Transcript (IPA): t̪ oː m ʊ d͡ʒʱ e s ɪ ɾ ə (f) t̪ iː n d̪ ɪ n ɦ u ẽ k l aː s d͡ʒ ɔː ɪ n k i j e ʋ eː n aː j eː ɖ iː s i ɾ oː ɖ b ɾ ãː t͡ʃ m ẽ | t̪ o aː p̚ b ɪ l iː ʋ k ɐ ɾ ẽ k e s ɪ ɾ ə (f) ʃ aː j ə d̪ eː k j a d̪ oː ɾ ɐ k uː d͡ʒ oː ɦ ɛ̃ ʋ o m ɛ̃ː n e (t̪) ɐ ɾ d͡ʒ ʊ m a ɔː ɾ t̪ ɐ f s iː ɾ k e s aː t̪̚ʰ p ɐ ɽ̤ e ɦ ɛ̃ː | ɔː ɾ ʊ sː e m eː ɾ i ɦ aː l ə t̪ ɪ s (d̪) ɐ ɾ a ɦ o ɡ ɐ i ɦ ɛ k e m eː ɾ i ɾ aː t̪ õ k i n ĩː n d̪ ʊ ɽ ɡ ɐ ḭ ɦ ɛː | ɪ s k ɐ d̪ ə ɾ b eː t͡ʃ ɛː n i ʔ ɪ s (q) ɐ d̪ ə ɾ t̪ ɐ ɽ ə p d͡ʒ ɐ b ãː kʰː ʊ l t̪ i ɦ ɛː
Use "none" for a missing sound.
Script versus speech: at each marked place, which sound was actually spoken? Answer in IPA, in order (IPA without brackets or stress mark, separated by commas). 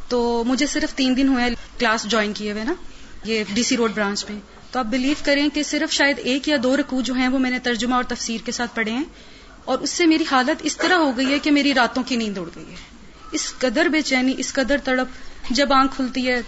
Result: f, f, t̪, t̪, k